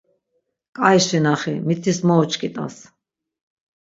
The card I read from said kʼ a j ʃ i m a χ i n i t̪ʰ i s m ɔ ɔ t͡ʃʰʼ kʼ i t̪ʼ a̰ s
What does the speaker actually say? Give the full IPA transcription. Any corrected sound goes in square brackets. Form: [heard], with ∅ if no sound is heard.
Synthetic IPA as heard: kʼ a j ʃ i [n] a χ i [m] i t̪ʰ i s m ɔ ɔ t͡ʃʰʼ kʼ i t̪ʼ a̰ s